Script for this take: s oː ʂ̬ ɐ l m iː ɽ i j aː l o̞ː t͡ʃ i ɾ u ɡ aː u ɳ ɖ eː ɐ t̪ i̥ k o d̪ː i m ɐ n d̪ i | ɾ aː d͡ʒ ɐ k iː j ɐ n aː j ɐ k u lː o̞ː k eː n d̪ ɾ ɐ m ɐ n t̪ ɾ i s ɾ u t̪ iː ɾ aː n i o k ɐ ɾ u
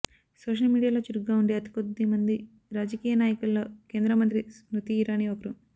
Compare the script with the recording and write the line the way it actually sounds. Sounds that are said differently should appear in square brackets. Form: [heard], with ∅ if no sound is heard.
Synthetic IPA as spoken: s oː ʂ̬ ɐ l m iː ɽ i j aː l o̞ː t͡ʃ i ɾ u ɡ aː u ɳ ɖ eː ɐ t̪ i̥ k o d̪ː i m ɐ n d̪ i | ɾ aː d͡ʒ ɐ k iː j ɐ n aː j ɐ k u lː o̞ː k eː n d̪ ɾ ɐ m ɐ n t̪ ɾ i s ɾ u t̪ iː ɾ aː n i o k ɐ ɾ u